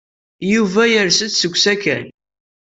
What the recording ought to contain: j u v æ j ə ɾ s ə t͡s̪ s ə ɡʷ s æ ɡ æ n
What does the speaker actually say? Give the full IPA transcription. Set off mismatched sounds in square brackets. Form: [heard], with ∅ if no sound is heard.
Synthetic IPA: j u v æ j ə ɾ s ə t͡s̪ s ə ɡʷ s æ [k] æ n